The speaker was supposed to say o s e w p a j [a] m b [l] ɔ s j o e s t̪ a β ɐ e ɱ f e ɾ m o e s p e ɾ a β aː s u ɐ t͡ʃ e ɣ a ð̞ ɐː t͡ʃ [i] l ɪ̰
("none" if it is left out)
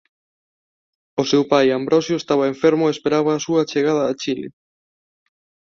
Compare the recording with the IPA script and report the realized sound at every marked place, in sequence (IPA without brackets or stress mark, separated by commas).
a, ɾ, i